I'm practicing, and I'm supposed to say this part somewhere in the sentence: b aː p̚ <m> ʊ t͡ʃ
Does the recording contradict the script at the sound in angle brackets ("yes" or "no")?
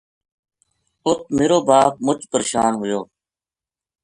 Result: no